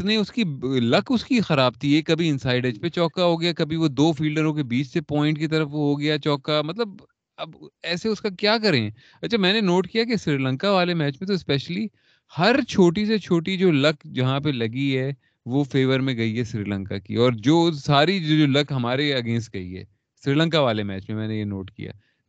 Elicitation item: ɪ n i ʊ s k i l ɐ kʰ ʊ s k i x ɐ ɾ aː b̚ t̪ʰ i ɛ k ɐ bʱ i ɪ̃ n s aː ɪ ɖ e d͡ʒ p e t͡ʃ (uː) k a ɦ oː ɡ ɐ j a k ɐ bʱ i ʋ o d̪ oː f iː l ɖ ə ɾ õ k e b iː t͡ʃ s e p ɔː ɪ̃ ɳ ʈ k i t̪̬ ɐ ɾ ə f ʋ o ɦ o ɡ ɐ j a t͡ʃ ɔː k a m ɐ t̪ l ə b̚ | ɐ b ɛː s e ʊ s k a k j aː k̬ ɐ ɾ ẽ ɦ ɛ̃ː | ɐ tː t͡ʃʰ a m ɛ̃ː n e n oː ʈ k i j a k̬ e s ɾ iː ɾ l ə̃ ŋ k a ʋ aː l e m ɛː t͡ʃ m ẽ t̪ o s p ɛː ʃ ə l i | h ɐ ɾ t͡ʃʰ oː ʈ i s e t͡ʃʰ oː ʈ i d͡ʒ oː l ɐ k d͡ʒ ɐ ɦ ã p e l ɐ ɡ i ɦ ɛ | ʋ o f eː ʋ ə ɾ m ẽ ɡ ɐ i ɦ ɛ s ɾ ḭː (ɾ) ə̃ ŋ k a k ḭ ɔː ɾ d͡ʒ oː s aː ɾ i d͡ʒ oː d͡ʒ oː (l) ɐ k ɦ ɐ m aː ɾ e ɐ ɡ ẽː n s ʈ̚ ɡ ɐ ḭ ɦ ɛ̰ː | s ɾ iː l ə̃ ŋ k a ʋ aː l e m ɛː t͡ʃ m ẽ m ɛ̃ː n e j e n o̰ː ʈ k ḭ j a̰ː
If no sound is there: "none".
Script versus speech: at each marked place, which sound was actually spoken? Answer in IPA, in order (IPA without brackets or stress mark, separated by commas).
ɔː, l, l